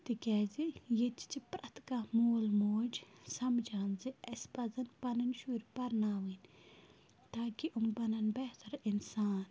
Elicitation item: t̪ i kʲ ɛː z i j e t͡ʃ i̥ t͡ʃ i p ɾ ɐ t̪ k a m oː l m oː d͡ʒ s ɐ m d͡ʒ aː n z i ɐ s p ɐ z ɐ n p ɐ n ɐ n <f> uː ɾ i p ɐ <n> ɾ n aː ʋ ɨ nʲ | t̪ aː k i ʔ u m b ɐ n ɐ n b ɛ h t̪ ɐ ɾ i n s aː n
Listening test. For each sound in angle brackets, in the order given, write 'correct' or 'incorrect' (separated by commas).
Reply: incorrect, incorrect